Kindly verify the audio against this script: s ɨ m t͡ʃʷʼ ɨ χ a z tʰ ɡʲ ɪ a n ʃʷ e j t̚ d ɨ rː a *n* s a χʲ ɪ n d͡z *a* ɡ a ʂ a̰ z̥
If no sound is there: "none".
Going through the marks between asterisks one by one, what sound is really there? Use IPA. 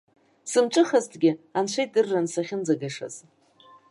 n, a

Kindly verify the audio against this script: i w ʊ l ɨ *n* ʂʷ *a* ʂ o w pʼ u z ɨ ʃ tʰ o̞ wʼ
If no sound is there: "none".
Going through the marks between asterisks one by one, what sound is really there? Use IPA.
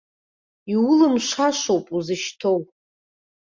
m, a

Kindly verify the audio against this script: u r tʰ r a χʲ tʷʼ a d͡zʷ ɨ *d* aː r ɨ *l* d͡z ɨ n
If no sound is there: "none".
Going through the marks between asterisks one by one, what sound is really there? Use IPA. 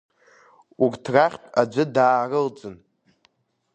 d, l

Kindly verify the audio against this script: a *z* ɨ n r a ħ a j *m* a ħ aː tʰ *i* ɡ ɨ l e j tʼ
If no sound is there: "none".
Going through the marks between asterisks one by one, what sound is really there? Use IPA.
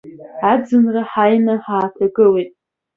d͡z, n, a

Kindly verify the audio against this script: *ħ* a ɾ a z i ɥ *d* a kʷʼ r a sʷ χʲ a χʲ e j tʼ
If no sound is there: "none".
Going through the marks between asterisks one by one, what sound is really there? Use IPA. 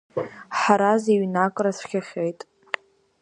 ħ, n

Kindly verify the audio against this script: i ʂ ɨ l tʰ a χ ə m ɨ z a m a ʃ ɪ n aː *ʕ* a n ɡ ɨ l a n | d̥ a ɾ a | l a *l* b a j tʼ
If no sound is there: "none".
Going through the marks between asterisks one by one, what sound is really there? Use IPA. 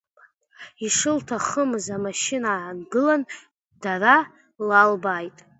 ʕ, l

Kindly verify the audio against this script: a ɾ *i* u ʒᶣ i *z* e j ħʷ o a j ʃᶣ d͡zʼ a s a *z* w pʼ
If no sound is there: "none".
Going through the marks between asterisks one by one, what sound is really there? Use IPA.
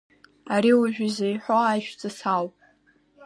i, z, none

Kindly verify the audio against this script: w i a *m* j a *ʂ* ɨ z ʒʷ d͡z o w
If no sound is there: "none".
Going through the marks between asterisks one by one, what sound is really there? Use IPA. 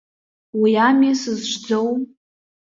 m, s

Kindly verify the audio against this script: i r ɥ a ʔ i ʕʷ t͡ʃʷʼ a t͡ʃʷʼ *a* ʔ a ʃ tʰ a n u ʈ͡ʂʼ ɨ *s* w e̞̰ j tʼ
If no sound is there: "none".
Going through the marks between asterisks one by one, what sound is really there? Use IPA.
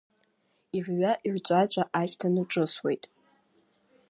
a, s

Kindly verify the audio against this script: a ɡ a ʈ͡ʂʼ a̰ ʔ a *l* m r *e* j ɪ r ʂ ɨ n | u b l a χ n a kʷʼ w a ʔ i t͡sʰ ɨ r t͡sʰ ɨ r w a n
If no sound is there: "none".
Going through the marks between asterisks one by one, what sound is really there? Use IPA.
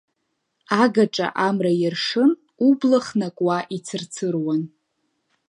none, a

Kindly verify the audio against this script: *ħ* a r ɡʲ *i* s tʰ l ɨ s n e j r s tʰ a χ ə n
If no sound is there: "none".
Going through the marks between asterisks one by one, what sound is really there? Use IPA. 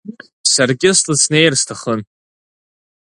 s, ɪ

